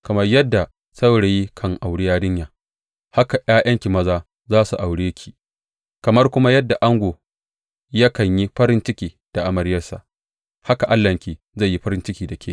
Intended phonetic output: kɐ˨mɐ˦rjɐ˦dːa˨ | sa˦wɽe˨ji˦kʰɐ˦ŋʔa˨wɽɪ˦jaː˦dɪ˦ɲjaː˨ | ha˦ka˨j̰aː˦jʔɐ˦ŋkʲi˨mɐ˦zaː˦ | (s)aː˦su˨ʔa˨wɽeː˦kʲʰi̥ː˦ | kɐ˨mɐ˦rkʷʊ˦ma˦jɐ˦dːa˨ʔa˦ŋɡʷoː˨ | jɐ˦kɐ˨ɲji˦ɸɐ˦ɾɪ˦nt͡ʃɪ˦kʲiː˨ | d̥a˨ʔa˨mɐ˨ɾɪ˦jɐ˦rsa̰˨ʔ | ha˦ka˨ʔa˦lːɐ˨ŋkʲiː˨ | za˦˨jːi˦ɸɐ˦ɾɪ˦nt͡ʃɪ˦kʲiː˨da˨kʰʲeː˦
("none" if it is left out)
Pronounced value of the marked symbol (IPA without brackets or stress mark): z